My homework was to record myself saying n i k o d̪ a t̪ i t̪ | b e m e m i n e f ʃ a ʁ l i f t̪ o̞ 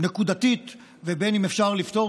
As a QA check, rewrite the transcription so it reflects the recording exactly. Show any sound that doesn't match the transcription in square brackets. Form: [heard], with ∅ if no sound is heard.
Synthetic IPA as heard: n [e] k [u] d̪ a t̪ i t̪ | [v] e [b] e [n] i [m] e f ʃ a ʁ l i f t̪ o̞